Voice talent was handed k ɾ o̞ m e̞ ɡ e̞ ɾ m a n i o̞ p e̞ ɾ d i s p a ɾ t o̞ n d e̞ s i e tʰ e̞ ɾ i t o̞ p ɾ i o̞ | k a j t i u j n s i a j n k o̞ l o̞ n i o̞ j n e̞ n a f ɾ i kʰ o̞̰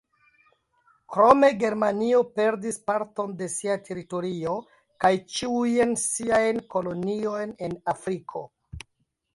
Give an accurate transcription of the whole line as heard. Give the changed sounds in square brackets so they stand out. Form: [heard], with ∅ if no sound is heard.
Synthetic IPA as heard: k ɾ o̞ m e̞ ɡ e̞ ɾ m a n i o̞ p e̞ ɾ d i s p a ɾ t o̞ n d e̞ s i [a] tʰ e̞ ɾ i t o̞ [∅] ɾ i o̞ | k a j [t͡ʃ] i u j n s i a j n k o̞ l o̞ n i o̞ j n e̞ n a f ɾ i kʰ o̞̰